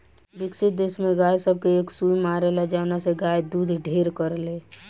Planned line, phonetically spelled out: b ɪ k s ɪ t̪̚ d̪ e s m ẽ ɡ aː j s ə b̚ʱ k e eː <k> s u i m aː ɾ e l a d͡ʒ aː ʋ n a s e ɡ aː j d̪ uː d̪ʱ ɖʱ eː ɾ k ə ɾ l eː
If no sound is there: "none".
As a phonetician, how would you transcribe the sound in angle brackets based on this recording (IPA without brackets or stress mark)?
k